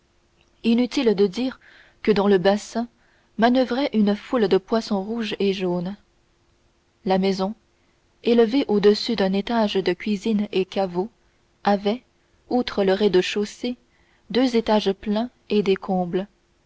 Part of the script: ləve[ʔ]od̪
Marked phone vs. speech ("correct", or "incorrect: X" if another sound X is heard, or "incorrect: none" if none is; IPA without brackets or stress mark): correct